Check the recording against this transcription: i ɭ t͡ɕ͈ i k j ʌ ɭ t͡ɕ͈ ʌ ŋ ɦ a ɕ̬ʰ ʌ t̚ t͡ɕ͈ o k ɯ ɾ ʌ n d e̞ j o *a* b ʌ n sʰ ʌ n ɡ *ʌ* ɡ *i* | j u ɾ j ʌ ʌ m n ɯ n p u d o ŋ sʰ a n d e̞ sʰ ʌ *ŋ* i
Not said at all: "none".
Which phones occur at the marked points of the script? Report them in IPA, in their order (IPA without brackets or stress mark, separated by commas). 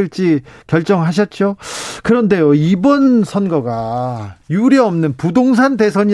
i, ʌ, a, ɲ